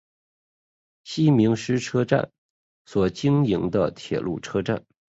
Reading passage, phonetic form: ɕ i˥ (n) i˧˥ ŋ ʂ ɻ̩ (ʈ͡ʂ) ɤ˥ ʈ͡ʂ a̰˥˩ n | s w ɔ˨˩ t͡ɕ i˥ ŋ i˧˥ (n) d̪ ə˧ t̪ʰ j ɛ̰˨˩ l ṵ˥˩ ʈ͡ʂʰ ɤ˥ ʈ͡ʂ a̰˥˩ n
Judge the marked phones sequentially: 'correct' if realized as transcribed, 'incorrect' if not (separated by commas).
incorrect, incorrect, incorrect